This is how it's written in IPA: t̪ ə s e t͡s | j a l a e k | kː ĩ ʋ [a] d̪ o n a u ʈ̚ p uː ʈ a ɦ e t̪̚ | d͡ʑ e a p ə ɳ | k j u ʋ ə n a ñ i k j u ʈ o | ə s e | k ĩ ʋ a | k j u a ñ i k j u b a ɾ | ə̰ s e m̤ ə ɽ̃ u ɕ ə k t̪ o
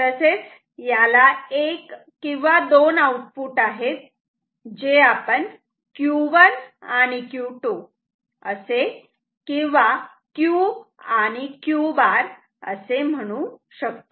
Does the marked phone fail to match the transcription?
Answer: no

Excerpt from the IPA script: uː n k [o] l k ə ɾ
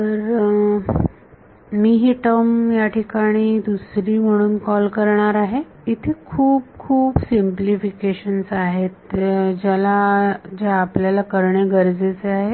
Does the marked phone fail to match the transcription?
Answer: yes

